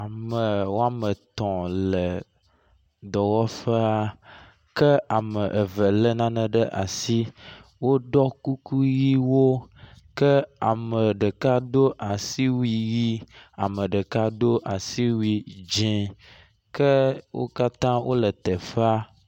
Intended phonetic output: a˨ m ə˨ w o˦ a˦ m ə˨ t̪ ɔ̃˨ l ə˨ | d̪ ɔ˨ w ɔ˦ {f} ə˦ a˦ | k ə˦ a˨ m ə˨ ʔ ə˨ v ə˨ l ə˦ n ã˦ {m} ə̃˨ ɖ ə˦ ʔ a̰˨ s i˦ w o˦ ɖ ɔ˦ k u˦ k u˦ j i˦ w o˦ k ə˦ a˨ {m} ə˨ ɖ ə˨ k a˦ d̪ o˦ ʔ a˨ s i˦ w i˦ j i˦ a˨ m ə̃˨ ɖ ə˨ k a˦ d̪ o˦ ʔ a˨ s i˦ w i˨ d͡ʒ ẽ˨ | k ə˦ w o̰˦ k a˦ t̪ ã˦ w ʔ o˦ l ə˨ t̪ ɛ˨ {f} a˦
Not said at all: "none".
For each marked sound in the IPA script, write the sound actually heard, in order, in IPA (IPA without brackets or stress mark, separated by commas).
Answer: f, n, m, f